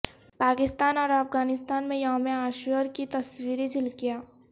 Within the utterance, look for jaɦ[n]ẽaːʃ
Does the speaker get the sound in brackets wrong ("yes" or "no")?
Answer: yes